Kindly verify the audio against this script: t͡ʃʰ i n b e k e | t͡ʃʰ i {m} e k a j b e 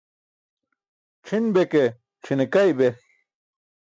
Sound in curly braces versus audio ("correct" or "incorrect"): incorrect